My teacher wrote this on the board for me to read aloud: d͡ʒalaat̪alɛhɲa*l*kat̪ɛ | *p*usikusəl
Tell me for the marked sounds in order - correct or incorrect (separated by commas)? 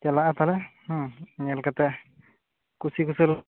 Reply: correct, incorrect